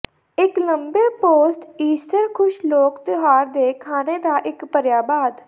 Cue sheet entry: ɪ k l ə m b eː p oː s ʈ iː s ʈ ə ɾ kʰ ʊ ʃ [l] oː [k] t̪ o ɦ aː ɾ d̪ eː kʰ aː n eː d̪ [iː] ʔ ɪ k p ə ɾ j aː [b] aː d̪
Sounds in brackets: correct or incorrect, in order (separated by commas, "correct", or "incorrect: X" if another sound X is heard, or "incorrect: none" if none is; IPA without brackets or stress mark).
correct, correct, incorrect: aː, correct